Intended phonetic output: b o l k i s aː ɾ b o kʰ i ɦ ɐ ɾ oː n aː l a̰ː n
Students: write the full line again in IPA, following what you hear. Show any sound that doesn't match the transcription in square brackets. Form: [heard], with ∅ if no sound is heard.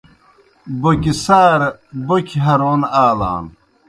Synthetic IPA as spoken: b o [∅] k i s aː ɾ b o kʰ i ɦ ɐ ɾ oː n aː l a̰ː n